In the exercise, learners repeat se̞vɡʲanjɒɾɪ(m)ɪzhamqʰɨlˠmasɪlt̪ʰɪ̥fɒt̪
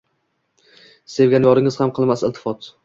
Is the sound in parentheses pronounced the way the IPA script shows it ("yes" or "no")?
no